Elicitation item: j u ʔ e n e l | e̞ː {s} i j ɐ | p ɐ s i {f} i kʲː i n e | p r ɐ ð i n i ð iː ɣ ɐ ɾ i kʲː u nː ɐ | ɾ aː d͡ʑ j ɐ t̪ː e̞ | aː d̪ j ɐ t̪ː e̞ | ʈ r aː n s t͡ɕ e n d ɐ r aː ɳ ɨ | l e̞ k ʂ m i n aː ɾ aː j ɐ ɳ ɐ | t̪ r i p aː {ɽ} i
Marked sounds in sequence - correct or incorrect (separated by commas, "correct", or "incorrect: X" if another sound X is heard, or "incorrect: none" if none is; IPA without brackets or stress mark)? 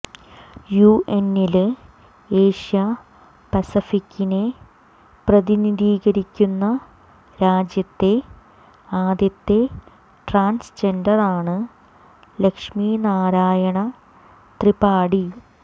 incorrect: ʂ, correct, correct